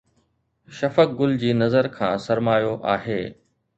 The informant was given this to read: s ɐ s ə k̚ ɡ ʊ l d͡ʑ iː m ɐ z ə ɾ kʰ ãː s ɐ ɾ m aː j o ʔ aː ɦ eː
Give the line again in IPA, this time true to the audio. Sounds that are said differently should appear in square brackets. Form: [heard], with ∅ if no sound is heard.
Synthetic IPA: [ʃ] ɐ [f] ə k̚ ɡ ʊ l d͡ʑ iː [n] ɐ z ə ɾ kʰ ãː s ɐ ɾ m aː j o ʔ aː ɦ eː